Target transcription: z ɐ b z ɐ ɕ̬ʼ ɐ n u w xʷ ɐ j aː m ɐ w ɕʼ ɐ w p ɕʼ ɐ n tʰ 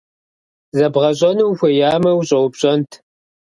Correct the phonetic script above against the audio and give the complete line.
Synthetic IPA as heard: z ɐ b ʁ ɐ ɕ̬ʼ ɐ n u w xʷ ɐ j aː m ɐ w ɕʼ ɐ w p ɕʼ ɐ n tʰ